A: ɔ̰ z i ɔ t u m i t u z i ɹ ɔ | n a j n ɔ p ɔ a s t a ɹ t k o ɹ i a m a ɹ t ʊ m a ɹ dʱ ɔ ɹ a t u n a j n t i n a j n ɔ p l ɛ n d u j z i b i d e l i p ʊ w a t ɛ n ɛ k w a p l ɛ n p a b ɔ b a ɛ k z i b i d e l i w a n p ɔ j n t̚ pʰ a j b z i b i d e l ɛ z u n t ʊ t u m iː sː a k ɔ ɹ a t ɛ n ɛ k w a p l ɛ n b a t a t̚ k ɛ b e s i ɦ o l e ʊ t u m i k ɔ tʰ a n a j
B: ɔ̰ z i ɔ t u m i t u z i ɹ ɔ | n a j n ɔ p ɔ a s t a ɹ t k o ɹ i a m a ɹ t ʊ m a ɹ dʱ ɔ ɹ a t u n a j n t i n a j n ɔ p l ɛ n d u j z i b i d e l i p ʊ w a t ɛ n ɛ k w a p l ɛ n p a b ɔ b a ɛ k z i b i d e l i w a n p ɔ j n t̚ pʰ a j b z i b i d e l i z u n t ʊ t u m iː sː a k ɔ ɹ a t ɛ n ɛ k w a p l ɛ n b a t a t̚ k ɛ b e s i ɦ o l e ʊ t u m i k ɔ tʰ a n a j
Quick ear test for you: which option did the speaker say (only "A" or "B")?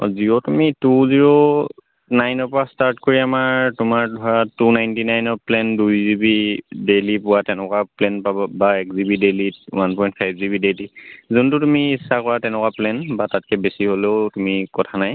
B